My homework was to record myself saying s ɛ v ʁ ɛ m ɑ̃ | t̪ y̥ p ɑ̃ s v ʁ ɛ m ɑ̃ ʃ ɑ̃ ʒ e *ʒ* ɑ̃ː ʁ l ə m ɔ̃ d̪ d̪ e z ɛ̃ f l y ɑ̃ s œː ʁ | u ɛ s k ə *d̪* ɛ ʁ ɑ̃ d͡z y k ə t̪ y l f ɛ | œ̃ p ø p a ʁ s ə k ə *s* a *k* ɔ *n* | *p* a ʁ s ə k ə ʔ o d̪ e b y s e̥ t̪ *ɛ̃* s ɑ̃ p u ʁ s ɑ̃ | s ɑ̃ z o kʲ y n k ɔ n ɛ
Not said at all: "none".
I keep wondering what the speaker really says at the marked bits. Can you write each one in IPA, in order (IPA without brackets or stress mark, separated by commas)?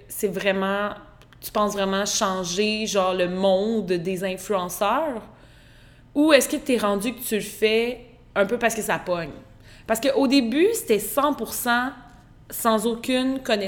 ʒ, t̪, s, p, ɲ, p, ɛ